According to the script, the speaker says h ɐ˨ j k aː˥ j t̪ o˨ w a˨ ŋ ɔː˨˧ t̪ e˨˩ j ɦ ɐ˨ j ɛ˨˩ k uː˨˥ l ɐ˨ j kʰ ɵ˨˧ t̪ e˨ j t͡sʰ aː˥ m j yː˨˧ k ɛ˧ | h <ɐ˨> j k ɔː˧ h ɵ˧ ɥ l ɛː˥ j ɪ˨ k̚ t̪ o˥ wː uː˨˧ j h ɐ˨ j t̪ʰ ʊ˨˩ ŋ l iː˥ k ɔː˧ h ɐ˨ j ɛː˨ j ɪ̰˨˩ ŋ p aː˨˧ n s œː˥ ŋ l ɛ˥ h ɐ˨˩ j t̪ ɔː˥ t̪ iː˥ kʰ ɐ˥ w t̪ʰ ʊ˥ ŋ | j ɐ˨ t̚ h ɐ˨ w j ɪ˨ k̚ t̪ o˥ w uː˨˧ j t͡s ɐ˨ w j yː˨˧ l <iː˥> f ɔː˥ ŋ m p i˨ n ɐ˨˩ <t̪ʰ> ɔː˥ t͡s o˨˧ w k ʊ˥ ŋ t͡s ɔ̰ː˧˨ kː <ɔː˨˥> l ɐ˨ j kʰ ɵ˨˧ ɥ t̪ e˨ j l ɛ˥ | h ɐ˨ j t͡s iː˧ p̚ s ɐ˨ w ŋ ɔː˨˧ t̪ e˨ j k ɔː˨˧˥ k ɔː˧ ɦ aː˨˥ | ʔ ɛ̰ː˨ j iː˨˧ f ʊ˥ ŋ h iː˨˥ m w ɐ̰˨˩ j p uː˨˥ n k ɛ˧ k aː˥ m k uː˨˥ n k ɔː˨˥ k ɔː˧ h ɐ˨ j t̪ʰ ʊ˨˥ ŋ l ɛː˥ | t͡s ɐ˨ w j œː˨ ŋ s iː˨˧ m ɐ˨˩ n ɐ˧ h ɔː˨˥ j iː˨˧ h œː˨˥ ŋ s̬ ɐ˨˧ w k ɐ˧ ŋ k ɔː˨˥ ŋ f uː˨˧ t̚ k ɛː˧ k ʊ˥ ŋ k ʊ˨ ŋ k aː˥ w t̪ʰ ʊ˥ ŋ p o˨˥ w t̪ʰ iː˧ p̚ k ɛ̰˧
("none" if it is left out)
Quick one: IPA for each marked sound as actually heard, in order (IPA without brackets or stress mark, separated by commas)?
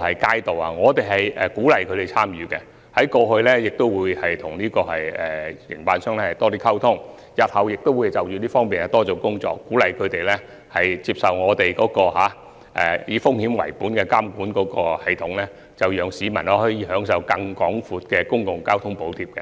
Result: ɐ˨˥, iː˥, t̪, uː˨˥